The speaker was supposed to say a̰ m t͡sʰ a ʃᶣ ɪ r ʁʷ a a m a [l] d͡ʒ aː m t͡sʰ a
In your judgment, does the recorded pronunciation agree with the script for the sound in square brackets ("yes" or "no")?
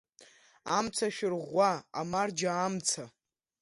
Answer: no